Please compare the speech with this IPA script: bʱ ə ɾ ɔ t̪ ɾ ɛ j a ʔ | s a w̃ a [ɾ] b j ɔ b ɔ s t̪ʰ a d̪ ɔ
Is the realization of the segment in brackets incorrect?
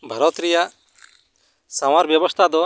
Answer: no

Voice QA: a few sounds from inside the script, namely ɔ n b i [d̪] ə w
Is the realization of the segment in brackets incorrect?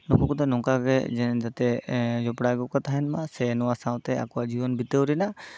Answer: yes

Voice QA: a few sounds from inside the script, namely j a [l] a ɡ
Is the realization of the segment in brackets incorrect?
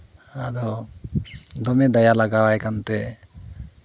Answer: no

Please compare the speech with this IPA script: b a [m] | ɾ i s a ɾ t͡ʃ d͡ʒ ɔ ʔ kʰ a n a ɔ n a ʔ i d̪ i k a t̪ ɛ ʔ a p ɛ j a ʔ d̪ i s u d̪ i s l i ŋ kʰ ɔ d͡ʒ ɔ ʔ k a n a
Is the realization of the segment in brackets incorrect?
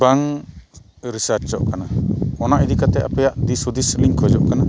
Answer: yes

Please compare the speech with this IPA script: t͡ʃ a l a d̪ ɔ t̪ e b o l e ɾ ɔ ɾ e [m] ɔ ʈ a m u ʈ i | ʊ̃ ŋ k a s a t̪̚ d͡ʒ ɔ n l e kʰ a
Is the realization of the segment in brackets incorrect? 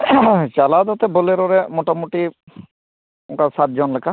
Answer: no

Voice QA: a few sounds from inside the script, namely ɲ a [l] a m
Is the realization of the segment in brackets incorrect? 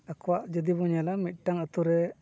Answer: no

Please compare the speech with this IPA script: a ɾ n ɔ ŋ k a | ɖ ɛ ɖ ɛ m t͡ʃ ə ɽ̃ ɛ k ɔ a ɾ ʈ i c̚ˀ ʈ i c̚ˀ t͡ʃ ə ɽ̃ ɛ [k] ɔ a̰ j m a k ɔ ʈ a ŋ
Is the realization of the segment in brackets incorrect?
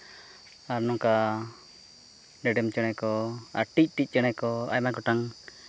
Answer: no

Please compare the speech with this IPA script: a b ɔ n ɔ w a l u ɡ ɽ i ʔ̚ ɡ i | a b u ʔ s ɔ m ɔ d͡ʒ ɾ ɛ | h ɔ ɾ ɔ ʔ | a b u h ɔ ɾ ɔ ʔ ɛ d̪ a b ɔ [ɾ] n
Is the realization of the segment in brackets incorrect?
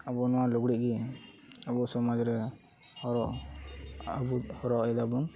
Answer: yes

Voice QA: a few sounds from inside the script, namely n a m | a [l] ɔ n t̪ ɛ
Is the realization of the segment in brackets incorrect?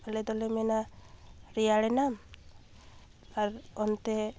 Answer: yes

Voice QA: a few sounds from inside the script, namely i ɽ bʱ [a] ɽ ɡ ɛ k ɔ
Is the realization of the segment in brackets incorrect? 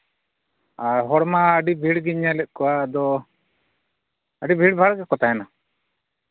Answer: no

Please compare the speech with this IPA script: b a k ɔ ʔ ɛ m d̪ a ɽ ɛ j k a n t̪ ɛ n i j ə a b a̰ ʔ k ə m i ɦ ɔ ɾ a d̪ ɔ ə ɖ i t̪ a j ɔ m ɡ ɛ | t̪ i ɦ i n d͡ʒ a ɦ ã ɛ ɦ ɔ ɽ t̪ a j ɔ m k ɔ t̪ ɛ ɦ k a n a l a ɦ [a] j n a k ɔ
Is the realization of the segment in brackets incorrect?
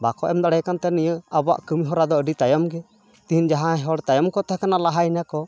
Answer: no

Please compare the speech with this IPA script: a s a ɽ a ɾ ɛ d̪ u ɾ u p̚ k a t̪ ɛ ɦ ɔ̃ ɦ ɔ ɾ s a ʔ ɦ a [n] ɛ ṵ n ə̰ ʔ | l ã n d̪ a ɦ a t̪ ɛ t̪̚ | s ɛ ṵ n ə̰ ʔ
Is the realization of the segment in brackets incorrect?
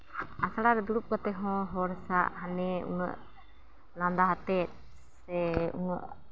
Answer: no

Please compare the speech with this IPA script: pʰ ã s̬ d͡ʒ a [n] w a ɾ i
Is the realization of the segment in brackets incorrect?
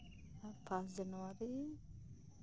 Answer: no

